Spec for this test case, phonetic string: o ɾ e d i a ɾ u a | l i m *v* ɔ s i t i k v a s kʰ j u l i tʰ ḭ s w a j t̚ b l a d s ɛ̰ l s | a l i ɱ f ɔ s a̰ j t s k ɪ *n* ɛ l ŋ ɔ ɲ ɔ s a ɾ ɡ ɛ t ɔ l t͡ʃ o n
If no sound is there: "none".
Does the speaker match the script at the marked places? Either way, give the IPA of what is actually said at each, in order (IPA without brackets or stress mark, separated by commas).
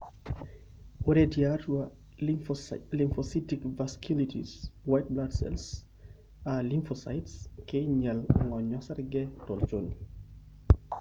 f, ɲ